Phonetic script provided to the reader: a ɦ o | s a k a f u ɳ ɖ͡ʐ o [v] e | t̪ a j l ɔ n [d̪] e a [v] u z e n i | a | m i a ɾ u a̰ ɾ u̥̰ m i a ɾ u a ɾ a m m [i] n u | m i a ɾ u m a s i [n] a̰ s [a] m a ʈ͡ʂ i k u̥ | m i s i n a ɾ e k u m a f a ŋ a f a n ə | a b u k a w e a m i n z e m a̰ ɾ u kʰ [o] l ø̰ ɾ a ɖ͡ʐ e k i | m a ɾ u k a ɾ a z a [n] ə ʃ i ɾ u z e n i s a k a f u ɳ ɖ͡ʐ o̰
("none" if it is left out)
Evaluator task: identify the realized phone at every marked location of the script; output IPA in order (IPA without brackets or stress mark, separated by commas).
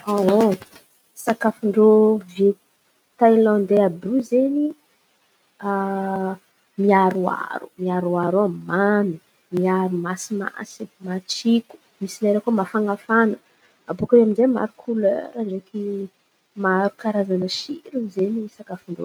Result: v, d̪, b, a, m, i, u, n